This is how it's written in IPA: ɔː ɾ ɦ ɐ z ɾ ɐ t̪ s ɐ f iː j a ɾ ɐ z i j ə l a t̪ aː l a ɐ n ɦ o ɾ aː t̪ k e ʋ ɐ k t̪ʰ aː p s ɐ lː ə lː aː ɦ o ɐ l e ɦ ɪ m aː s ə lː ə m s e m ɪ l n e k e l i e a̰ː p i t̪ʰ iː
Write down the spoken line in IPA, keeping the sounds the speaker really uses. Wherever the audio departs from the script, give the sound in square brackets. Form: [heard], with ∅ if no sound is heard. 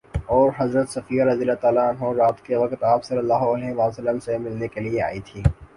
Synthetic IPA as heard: ɔː ɾ ɦ ɐ z ɾ [ə] t̪ s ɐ f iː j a ɾ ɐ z i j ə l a t̪ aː l a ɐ n ɦ o ɾ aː t̪ k e ʋ ɐ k [t̪] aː p s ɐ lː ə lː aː ɦ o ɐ l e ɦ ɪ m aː s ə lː ə m s e m ɪ l n e k e l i e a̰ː [∅] i t̪ʰ iː

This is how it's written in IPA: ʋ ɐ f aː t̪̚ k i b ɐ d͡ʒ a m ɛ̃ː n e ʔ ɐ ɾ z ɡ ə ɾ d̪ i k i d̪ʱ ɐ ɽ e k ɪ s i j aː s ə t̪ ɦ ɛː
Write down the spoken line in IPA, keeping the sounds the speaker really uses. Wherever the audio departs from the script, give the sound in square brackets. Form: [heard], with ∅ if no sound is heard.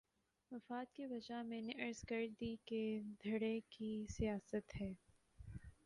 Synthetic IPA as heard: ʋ ɐ f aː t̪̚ k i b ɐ d͡ʒ a m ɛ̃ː n e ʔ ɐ ɾ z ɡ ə ɾ d̪ i k [e] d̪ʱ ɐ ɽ e k [i] s i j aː s ə t̪ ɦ ɛː

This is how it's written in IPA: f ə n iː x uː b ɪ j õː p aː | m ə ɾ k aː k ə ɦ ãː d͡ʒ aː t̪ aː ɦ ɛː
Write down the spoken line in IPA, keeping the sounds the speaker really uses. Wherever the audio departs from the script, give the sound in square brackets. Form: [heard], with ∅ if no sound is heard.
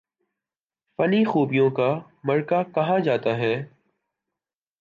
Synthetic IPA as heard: f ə n iː x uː b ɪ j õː [k] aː | m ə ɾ k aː k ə ɦ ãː d͡ʒ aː t̪ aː ɦ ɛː

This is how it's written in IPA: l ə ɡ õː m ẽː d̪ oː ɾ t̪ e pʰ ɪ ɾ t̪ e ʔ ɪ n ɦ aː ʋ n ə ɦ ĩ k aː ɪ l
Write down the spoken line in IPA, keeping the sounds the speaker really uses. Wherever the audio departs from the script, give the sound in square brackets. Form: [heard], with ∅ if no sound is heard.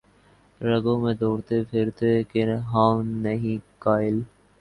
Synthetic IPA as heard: [ɾ] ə ɡ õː m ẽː d̪ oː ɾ t̪ e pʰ ɪ ɾ t̪ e [k] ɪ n ɦ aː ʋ n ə ɦ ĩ k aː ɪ l

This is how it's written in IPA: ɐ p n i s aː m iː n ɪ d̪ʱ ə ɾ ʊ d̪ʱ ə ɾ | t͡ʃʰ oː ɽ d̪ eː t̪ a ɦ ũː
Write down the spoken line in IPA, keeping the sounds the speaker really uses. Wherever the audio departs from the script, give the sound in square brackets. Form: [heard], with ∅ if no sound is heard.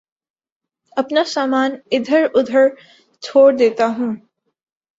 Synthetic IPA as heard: ɐ p n [a] s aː m [aː] n ɪ d̪ʱ ə ɾ ʊ d̪ʱ ə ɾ | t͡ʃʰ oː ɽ d̪ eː t̪ a ɦ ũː

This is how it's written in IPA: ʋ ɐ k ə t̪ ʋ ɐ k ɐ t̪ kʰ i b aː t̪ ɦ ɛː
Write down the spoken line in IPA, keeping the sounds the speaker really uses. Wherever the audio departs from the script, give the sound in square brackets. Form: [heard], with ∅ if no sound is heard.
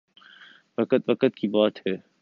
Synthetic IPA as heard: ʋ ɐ k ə t̪ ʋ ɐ k [ə] t̪ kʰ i b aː t̪ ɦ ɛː

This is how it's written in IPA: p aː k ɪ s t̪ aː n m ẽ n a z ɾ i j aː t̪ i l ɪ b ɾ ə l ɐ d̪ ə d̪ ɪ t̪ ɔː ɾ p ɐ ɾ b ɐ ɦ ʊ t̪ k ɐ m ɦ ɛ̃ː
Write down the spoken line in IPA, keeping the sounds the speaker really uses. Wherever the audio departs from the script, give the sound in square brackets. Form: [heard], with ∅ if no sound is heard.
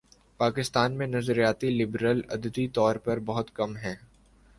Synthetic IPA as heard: p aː k ɪ s t̪ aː n m ẽ n [ɐ] z ɾ i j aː t̪ i l ɪ b ɾ ə l ɐ d̪ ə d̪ [i] t̪ ɔː ɾ p ɐ ɾ b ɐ ɦ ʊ t̪ k ɐ m ɦ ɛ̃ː

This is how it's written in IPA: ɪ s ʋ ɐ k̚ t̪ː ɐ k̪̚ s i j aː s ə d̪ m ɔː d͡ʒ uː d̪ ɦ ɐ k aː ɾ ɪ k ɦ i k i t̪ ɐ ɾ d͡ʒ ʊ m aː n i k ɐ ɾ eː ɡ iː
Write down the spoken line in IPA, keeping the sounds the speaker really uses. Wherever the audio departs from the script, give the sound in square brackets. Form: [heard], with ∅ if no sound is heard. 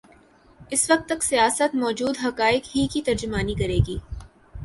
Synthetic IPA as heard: ɪ s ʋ ɐ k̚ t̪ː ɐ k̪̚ s i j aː s ə [t̪] m ɔː d͡ʒ uː d̪ ɦ ɐ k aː [∅] ɪ k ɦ i k i t̪ ɐ ɾ d͡ʒ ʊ m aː n i k ɐ ɾ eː ɡ iː

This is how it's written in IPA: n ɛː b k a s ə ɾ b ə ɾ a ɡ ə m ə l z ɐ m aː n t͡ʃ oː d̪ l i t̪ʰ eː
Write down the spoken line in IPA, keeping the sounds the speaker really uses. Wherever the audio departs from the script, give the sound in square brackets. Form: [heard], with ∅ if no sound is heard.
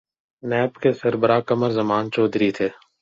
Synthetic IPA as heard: n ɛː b k [e] s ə ɾ b ə ɾ a [k] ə m ə [ɾ] z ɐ m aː n t͡ʃ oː d̪ [ɾ] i t̪ʰ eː

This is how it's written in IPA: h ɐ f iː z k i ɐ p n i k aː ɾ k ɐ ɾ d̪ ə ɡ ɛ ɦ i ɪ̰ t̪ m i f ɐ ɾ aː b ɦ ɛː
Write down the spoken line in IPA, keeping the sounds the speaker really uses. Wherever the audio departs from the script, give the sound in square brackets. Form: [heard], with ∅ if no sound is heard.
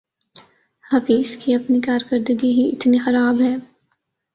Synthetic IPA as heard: h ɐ f iː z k i ɐ p n i k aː ɾ k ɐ ɾ d̪ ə ɡ [i] ɦ i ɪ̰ t̪ [n] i [x] ɐ ɾ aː b ɦ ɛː

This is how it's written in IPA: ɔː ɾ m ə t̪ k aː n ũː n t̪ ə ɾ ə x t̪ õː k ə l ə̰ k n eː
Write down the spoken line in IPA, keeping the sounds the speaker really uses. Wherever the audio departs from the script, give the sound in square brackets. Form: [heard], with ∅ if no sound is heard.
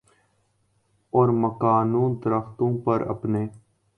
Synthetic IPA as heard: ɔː ɾ m ə [∅] k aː n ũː n [d̪] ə ɾ ə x t̪ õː [p] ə [ɾ] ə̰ [p] n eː

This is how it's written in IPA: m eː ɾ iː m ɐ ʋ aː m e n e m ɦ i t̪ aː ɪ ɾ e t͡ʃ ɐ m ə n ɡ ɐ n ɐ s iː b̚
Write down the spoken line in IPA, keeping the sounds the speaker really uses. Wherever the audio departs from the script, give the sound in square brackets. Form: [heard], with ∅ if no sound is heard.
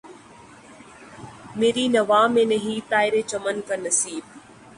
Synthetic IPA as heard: m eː ɾ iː [n] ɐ ʋ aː m e n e [∅] ɦ i t̪ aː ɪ ɾ e t͡ʃ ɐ m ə n [k] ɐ n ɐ s iː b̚

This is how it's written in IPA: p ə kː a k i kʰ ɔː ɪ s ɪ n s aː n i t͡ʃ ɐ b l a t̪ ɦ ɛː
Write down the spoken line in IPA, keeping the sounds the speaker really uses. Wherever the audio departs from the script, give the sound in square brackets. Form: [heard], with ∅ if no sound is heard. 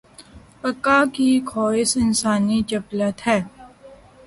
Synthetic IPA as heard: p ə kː a k i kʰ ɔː ɪ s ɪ n s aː n i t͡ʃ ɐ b l [ə] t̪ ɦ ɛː

